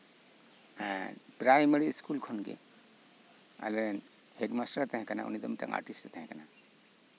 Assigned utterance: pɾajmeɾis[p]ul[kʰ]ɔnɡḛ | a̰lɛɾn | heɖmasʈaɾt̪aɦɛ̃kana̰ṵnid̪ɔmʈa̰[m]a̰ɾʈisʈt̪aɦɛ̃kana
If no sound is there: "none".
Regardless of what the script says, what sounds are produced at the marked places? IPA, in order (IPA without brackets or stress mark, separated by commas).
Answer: k, kʰ, ŋ